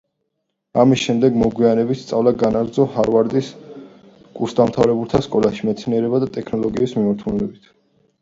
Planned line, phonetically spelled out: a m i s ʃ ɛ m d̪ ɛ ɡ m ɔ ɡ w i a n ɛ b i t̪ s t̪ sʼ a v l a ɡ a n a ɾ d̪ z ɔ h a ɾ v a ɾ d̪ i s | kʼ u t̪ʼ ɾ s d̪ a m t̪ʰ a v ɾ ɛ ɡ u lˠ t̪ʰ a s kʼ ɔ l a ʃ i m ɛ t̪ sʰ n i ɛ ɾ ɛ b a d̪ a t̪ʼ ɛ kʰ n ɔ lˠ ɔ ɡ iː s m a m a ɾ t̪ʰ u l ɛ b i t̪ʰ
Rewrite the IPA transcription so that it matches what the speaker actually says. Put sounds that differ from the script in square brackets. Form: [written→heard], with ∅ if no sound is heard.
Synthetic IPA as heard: a m i s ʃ ɛ m d̪ ɛ ɡ m ɔ ɡ w i a n ɛ b i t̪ s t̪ sʼ a v l a ɡ a n a ɾ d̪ z ɔ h a ɾ v a ɾ d̪ i s | kʼ u [t̪ʼ→∅] ɾ s d̪ a m t̪ʰ a v ɾ ɛ [ɡ→b] u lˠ t̪ʰ a s kʼ ɔ l a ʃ i m ɛ t̪ sʰ n i ɛ ɾ ɛ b a d̪ a t̪ʼ ɛ kʰ n ɔ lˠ ɔ ɡ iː s m [a→i] m a ɾ t̪ʰ u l ɛ b i t̪ʰ